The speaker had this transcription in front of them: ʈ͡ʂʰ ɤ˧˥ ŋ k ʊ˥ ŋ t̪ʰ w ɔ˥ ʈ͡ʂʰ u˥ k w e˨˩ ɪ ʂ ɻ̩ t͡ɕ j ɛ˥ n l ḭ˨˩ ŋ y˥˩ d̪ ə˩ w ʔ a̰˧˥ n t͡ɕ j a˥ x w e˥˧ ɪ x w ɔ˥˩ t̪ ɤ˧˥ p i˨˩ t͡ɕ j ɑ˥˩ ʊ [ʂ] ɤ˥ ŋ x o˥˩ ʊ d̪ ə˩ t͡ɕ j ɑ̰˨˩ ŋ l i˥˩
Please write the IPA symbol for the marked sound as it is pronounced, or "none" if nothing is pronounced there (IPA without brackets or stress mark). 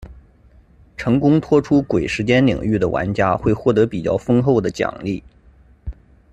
f